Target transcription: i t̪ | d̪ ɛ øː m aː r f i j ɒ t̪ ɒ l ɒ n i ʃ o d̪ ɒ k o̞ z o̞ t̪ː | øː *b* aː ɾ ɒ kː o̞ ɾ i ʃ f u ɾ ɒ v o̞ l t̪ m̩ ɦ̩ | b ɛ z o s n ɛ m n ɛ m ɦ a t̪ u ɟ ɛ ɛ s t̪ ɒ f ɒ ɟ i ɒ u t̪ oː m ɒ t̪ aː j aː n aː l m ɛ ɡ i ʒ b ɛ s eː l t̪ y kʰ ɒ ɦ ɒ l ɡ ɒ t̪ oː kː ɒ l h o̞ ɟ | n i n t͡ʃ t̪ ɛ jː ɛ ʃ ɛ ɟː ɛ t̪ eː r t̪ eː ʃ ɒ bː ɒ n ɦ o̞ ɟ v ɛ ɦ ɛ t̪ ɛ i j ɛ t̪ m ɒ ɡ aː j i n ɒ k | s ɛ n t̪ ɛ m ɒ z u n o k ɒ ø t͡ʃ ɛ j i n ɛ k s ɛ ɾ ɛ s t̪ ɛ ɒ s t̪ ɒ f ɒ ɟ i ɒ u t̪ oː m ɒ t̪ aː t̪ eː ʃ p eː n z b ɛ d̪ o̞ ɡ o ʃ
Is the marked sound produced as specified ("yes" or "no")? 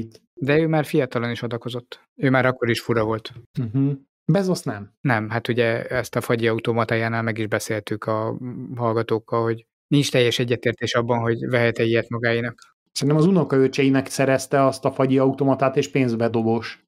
no